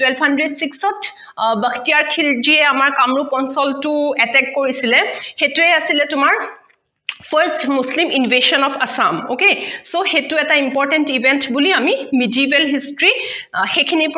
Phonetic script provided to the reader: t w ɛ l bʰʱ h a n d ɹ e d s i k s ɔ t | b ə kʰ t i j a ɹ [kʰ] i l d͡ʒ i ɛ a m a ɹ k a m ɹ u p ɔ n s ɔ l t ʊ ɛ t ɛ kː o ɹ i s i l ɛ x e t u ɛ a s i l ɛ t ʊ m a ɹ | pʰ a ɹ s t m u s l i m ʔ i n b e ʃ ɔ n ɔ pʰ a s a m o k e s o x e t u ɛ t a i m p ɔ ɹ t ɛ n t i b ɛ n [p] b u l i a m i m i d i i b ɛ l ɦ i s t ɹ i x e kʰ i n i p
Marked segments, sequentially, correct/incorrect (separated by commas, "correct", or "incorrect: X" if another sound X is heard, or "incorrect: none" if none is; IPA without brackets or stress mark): correct, incorrect: t